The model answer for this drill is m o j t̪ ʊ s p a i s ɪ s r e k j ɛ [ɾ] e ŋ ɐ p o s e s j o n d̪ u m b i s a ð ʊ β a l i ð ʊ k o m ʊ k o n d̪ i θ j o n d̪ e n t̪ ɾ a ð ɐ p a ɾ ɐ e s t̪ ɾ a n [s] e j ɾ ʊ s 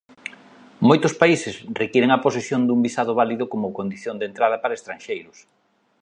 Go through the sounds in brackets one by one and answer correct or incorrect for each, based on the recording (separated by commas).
correct, incorrect